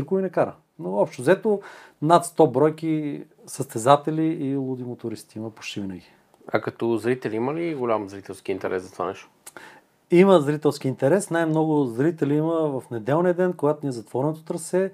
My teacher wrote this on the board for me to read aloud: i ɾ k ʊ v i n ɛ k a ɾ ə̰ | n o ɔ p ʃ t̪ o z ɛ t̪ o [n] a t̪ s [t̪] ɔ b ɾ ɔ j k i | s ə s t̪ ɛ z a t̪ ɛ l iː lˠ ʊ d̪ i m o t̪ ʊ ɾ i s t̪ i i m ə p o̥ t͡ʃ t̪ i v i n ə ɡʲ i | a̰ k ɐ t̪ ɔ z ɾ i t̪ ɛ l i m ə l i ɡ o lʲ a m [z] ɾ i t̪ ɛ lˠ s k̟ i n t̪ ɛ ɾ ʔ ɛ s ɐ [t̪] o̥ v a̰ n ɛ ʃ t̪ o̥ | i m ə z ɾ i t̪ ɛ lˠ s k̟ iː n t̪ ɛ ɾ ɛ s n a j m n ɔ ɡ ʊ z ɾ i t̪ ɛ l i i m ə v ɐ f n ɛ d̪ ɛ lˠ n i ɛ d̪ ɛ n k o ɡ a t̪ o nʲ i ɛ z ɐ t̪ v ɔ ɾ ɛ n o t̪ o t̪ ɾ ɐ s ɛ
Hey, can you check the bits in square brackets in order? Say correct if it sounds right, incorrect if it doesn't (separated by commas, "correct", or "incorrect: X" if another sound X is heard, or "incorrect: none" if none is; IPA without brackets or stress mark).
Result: correct, correct, correct, correct